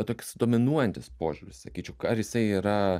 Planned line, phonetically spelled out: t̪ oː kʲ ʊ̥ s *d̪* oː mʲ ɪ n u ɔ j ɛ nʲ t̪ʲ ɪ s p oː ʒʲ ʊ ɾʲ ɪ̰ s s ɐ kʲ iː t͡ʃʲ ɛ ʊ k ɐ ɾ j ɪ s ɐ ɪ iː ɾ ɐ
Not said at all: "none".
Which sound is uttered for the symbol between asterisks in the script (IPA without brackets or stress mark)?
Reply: d̪